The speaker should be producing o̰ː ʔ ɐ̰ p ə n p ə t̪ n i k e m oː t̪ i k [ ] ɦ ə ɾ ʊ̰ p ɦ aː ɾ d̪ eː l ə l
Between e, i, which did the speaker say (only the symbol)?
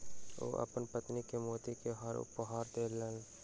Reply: e